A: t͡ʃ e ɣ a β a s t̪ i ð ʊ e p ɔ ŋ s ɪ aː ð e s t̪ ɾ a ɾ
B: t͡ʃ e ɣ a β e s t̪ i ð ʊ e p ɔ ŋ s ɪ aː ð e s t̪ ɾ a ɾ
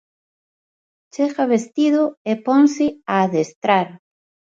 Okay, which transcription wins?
B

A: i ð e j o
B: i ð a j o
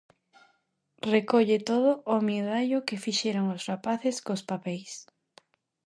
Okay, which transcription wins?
B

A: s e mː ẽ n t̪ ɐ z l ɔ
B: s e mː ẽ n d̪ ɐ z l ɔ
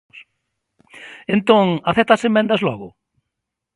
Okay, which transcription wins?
B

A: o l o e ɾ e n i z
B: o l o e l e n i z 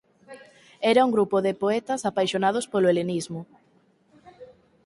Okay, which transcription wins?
B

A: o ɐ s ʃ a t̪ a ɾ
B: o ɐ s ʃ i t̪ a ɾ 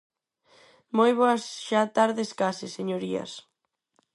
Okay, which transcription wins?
A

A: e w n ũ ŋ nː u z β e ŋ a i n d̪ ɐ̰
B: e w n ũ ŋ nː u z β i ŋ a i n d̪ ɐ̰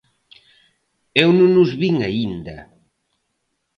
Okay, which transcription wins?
B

